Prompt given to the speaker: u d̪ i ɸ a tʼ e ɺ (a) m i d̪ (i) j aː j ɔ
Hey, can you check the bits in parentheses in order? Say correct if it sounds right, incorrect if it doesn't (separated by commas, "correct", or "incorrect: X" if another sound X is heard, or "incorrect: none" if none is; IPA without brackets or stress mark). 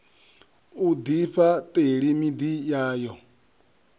incorrect: i, correct